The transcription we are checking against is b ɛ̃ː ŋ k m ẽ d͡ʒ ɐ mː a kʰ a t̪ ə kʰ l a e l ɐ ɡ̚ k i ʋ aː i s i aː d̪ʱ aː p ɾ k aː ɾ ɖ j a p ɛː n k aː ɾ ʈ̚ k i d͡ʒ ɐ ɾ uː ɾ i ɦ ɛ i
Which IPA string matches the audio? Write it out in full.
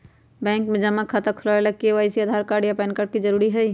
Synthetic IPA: b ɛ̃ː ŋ k m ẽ d͡ʒ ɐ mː a kʰ a t̪ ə kʰ l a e l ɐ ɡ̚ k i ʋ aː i s i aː d̪ʱ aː ɾ k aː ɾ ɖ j a p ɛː n k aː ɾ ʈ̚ k i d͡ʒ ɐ ɾ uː ɾ i ɦ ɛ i

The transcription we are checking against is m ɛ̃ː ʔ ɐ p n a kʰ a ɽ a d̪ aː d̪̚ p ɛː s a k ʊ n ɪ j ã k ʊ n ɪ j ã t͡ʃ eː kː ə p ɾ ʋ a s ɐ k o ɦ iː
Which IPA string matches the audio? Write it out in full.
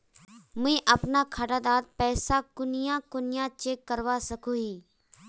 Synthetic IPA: m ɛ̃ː ʔ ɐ p n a kʰ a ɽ a d̪ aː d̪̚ p ɛː s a k ʊ n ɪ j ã k ʊ n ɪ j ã t͡ʃ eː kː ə ɾ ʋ a s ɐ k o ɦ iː

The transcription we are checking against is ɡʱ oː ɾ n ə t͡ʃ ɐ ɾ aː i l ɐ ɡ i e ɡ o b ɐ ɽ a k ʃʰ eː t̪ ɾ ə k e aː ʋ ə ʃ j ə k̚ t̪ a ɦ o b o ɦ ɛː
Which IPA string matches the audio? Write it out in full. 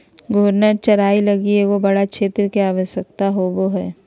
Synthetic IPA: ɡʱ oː ɾ n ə t͡ʃ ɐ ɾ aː i l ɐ ɡ i e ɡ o b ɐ ɽ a k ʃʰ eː t̪ ɾ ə k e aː ʋ ə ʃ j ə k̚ t̪ a ɦ o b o ɦ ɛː

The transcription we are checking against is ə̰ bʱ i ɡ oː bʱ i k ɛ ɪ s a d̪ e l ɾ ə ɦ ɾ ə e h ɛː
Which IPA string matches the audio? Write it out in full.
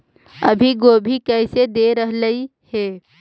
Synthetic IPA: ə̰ bʱ i ɡ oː bʱ i k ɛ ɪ s e d̪ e ɾ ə ɦ l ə i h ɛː

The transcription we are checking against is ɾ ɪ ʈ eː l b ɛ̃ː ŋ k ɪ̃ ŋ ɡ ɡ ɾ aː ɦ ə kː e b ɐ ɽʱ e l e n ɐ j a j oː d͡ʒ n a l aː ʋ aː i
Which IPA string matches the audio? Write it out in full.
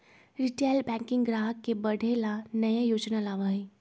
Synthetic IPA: ɾ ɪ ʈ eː l b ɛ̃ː ŋ k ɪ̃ ŋ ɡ ɡ ɾ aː ɦ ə kː e b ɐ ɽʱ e l a n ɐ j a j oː d͡ʒ n a l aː ʋ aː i

